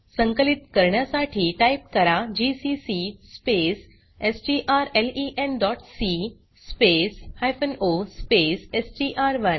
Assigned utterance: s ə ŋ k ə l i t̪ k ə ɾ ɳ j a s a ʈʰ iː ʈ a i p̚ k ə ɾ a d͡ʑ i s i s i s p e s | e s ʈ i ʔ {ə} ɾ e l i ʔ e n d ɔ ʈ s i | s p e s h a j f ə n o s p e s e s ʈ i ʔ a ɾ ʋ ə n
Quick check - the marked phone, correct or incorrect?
incorrect